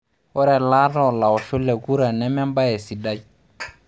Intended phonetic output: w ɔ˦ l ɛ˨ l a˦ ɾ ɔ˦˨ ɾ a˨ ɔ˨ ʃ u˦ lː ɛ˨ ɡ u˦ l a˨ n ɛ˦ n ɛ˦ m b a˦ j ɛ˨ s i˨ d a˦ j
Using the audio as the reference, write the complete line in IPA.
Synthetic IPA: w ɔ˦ ɾ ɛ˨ l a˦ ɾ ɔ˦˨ l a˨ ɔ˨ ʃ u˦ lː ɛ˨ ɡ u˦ ɾ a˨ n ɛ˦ m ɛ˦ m b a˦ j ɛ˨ s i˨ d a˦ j